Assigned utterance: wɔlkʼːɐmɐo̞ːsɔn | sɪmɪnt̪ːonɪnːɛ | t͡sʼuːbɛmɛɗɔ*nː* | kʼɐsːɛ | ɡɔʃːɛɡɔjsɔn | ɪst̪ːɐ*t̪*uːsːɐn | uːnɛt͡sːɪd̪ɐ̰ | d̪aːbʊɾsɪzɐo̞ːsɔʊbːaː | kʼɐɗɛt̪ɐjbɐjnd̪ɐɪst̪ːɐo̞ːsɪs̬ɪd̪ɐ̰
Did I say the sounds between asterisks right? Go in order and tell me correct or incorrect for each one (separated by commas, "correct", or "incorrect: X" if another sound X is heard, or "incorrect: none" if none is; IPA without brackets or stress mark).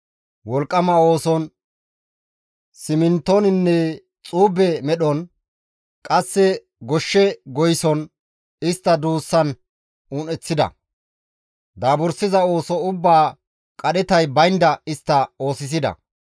incorrect: n, incorrect: d̪